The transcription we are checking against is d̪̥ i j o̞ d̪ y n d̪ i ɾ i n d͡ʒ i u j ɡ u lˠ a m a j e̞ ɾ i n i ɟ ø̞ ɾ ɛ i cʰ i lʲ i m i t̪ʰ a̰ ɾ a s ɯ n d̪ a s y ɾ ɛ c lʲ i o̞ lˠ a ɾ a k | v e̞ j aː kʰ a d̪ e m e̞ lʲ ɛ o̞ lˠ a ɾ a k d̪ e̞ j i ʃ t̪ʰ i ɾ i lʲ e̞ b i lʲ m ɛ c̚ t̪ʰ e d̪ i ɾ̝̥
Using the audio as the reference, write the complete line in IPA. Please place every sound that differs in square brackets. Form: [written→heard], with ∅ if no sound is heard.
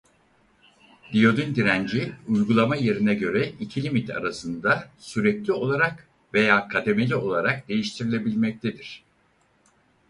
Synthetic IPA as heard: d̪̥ i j o̞ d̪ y n d̪ i ɾ [i→æ] n d͡ʒ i u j ɡ u lˠ a m a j e̞ ɾ i n [i→ɛ] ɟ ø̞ ɾ ɛ i cʰ i lʲ i m i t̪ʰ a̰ ɾ a s ɯ n d̪ a s y ɾ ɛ c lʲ i o̞ lˠ a ɾ a k | v e̞ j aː kʰ a d̪ e m e̞ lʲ [ɛ→i] o̞ lˠ a ɾ a k d̪ e̞ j i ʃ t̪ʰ i ɾ i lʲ e̞ b i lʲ m ɛ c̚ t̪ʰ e d̪ i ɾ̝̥